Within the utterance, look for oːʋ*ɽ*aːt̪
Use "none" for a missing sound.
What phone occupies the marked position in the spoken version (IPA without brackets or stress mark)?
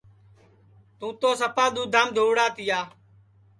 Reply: ɽ